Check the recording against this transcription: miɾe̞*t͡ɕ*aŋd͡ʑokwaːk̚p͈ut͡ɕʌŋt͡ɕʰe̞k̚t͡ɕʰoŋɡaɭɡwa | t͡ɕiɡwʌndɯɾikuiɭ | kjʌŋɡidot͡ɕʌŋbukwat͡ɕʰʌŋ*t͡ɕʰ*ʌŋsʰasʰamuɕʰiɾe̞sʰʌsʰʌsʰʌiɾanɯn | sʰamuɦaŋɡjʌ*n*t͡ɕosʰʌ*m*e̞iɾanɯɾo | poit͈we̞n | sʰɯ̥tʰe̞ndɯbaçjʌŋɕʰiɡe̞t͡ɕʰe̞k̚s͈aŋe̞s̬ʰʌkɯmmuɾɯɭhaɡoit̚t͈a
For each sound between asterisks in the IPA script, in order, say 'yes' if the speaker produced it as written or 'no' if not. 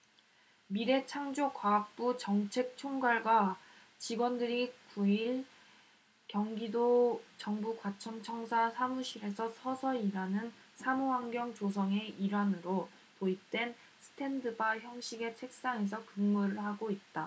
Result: no, yes, no, no

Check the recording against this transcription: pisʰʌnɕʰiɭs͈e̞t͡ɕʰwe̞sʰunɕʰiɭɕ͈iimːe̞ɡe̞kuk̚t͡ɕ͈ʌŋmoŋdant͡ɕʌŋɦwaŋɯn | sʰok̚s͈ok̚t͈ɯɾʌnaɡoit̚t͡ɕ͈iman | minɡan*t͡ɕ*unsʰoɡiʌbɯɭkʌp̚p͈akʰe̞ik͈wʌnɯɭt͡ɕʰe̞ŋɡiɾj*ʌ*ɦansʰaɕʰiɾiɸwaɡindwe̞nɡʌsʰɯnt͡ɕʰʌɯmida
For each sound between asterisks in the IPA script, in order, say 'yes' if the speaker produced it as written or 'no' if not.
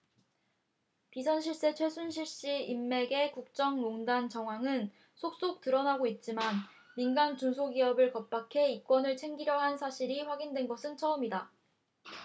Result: yes, yes

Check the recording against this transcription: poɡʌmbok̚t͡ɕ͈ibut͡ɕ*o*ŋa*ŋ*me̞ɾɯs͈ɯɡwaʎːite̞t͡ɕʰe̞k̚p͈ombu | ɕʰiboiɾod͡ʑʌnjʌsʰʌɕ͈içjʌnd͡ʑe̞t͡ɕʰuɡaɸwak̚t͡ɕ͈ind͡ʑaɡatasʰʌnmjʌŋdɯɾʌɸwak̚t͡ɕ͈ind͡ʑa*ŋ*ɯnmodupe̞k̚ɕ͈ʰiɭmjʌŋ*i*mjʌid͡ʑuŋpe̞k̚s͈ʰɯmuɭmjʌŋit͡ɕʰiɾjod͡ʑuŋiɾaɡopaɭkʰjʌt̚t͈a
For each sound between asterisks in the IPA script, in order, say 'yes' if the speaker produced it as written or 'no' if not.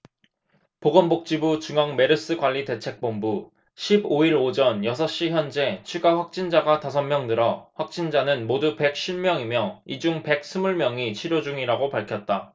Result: no, yes, no, yes

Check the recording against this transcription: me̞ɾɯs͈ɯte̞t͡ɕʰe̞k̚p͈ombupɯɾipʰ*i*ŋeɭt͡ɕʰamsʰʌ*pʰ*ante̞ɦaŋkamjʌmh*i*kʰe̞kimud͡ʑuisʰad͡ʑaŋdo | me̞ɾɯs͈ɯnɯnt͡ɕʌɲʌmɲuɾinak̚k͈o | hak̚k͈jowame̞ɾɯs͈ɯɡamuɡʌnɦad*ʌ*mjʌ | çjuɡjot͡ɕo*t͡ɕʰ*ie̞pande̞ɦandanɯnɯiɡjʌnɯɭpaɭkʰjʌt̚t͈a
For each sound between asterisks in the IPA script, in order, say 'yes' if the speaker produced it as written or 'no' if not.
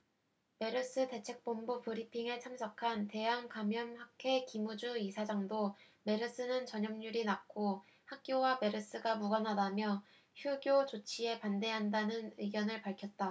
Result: yes, no, no, no, yes

